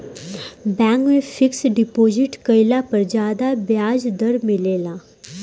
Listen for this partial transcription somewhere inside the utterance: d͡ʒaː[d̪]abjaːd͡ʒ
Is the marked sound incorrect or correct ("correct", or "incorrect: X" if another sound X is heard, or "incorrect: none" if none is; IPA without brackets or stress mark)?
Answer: correct